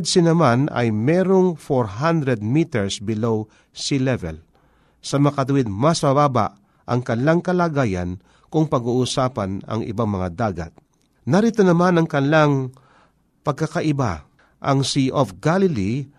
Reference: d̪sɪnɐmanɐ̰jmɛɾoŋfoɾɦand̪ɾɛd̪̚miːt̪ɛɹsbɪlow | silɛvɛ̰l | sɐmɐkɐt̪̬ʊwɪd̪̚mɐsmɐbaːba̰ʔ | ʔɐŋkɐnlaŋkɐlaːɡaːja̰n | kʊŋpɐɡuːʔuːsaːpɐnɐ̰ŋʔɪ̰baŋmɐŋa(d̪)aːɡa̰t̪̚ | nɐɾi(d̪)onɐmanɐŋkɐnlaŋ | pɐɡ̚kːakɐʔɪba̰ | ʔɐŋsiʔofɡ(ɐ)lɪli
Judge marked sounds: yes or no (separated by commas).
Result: yes, no, no